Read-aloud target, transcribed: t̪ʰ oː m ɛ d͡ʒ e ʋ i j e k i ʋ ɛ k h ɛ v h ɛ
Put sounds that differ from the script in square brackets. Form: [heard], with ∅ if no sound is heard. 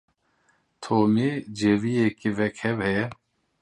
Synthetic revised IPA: t̪ʰ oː m [i] d͡ʒ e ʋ i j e k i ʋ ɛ k h ɛ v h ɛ